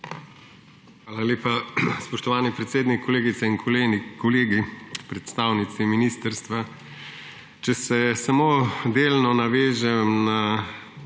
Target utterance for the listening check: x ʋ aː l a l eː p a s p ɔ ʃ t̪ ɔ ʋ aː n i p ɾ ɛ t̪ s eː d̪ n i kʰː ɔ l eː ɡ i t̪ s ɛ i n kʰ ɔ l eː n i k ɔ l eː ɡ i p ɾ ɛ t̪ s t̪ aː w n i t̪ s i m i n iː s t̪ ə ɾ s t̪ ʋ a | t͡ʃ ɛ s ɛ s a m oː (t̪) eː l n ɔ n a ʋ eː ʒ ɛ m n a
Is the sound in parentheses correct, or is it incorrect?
incorrect